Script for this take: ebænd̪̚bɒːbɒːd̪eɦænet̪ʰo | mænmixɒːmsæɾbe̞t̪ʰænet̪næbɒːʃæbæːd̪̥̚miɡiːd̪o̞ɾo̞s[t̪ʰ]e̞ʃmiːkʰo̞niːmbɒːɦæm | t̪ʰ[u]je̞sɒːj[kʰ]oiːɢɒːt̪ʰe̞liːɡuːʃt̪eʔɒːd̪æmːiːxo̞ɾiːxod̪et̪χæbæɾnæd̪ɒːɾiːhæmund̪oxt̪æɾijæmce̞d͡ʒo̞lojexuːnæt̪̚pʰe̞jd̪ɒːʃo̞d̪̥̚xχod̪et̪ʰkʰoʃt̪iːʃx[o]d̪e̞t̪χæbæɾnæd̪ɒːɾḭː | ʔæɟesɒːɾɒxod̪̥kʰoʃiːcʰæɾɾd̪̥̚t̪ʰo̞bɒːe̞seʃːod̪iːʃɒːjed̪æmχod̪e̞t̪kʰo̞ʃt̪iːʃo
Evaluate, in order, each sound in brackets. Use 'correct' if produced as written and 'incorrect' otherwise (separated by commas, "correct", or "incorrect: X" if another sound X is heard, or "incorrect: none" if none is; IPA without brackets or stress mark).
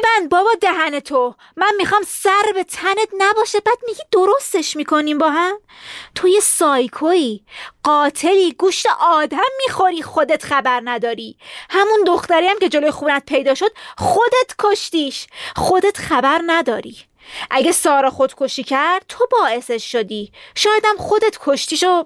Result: incorrect: t̪, incorrect: o, correct, correct